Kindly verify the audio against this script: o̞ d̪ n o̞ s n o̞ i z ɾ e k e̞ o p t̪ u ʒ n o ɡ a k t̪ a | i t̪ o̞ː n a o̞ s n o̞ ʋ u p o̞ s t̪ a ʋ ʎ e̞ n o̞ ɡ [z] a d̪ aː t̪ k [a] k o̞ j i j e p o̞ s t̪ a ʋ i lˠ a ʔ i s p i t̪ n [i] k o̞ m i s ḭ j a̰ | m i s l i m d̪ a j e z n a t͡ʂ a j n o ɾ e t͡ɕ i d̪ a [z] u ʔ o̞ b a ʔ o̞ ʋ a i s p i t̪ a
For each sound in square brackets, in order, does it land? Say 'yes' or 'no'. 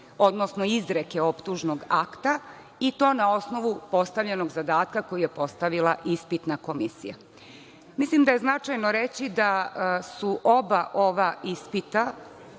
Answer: yes, yes, no, no

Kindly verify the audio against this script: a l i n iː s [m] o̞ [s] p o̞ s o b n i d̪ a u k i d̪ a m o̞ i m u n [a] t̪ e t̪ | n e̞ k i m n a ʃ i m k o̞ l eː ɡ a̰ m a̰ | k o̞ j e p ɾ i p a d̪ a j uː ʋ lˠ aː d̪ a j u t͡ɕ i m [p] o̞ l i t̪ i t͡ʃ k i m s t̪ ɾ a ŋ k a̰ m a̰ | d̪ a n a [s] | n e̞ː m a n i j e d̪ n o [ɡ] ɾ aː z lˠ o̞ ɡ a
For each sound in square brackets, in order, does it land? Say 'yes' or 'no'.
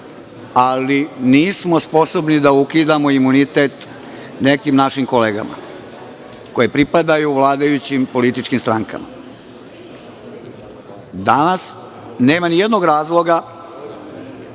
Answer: yes, yes, no, yes, yes, yes

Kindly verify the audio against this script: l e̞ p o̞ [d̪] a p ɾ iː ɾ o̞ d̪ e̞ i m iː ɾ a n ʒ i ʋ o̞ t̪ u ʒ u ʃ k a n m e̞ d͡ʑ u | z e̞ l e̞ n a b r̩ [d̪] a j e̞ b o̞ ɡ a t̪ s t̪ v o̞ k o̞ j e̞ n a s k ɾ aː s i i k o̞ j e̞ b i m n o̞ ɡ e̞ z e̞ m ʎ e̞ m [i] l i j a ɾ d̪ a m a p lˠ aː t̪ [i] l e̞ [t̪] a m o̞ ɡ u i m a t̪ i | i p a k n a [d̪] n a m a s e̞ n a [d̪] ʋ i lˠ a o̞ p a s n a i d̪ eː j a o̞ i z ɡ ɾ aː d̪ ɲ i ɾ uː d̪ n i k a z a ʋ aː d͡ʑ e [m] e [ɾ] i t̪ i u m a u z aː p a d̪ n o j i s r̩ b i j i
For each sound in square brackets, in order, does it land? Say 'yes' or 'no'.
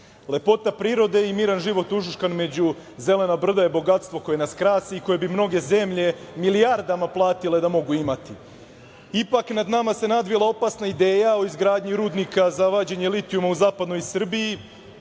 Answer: no, yes, yes, yes, no, yes, yes, no, no

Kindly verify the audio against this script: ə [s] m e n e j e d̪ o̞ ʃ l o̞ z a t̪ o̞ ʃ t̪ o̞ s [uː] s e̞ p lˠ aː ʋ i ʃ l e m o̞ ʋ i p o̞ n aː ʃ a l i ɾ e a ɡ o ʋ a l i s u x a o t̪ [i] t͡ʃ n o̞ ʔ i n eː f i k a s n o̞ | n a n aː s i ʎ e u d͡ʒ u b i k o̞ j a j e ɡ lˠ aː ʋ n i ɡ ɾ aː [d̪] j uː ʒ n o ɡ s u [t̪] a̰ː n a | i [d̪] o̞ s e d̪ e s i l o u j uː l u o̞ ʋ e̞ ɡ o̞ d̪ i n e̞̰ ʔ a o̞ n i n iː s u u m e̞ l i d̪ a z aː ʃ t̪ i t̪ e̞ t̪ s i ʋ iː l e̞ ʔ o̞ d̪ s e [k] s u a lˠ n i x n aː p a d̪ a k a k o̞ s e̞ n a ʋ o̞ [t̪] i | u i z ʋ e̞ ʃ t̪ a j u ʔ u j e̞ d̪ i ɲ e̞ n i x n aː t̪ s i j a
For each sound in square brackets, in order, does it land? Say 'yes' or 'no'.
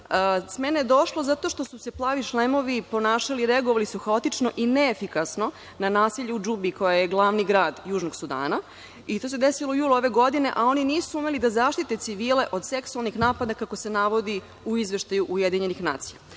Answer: yes, no, yes, yes, no, no, yes, no

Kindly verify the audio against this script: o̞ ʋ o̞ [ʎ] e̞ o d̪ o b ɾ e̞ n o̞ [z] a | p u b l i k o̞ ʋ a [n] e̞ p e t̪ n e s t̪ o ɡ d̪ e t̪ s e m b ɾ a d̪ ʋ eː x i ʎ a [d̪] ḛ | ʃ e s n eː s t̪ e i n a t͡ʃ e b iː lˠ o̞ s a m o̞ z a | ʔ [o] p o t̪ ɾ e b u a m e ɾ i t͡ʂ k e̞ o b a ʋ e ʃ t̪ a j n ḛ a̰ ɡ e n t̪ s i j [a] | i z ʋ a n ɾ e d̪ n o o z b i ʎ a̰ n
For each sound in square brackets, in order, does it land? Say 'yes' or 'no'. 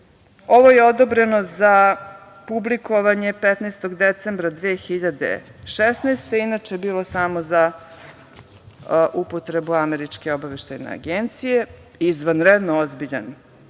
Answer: no, yes, no, yes, no, no

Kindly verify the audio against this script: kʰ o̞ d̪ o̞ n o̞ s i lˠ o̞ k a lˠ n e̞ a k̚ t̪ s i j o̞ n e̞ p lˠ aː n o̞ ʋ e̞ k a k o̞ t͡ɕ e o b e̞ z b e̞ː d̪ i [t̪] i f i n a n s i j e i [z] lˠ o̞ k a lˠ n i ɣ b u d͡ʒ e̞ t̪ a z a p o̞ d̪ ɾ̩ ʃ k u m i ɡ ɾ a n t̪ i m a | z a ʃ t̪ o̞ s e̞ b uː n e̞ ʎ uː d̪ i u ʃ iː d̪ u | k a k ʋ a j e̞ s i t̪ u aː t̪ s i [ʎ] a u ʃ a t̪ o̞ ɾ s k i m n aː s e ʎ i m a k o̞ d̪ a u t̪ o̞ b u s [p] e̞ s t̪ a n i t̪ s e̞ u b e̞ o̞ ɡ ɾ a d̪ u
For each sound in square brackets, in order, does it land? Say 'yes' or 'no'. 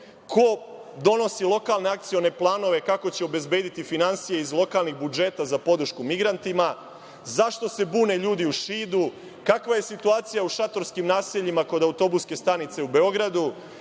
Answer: yes, yes, no, no

